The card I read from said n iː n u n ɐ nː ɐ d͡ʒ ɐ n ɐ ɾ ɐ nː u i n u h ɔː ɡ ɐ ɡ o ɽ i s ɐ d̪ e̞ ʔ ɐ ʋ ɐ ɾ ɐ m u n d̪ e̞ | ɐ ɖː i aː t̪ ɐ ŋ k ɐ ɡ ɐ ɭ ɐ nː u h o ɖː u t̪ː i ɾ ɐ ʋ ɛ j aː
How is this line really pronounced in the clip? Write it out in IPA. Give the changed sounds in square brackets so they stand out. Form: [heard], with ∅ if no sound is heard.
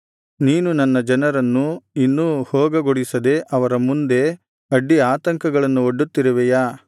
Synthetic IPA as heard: n iː n u n ɐ nː ɐ d͡ʒ ɐ n ɐ ɾ ɐ nː u i [nː] u h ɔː ɡ ɐ ɡ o ɽ i s ɐ d̪ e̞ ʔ ɐ ʋ ɐ ɾ ɐ m u n d̪ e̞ | ɐ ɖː i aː t̪ ɐ ŋ k ɐ ɡ ɐ ɭ ɐ nː u [∅] o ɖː u t̪ː i ɾ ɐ ʋ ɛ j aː